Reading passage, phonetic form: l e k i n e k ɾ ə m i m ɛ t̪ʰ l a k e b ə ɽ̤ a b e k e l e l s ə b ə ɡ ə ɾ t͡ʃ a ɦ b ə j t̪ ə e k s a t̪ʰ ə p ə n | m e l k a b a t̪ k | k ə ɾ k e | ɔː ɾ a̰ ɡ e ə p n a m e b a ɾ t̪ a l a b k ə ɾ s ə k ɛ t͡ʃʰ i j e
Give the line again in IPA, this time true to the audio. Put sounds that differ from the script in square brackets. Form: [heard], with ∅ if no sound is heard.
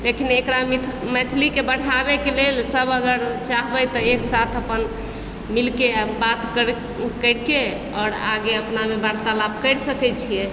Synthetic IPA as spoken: l e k i n e k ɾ [a] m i m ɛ t̪ʰ l [i] k e b ə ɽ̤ a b e k e l e l s ə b ə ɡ ə ɾ t͡ʃ a ɦ b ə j t̪ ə e k s a t̪ʰ ə p ə n | m [i] l k [e] b a t̪ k | k ə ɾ k e | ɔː ɾ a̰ ɡ e ə p n a m e b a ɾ t̪ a l a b k ə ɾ s ə k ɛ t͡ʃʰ i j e